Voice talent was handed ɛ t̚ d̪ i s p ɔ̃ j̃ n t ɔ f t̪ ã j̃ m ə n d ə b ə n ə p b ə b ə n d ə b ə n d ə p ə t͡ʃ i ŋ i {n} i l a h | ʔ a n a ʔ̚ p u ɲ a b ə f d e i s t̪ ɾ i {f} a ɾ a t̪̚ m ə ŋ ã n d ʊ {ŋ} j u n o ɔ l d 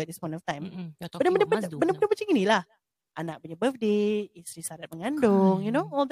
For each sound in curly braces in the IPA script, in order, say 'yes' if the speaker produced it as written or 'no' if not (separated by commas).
yes, no, yes